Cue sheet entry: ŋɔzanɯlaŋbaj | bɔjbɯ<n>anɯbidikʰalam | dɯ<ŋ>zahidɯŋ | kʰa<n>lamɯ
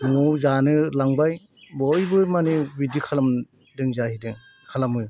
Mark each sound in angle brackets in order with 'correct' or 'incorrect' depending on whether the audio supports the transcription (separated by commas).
incorrect, correct, incorrect